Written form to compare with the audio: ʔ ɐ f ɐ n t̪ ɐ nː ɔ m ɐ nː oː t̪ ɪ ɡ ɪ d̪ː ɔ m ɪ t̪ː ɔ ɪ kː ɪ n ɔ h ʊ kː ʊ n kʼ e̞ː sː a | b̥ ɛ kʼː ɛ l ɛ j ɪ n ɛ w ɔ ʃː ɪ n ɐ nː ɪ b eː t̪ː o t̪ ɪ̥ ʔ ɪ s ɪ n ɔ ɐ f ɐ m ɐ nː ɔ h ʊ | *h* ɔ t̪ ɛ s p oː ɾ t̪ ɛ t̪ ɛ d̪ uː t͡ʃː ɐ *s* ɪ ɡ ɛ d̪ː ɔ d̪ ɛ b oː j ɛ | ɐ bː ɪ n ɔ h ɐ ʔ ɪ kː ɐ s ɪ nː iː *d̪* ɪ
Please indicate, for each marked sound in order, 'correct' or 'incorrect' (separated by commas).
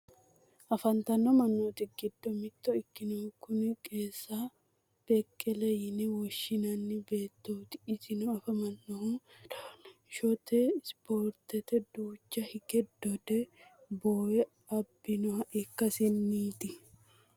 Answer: incorrect, incorrect, incorrect